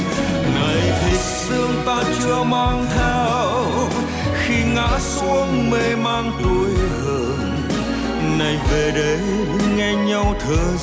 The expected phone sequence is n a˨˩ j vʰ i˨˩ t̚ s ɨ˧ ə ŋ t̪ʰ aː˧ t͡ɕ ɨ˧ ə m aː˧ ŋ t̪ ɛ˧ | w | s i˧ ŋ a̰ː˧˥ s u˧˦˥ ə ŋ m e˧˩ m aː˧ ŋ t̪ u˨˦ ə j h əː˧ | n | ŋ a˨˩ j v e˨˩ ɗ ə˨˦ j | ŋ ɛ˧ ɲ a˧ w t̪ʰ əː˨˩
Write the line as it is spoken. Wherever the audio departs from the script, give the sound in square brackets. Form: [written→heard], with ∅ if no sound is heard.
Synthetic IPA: n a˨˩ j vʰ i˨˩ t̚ s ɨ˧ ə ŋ [t̪ʰ→t̪] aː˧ t͡ɕ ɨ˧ ə m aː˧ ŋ [t̪→t̪ʰ] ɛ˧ | w | [s→x] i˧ ŋ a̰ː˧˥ s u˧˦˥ ə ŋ m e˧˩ m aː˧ ŋ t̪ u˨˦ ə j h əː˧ | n | [ŋ→n] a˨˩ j v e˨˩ ɗ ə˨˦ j | ŋ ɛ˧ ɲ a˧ w t̪ʰ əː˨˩